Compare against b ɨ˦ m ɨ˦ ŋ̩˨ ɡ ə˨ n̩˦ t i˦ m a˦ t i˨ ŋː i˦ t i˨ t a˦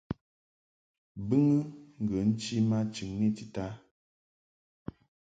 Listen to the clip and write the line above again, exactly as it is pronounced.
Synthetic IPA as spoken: b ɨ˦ ŋ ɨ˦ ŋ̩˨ ɡ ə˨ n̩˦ t͡ʃ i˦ m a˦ t͡ʃ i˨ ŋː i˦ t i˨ t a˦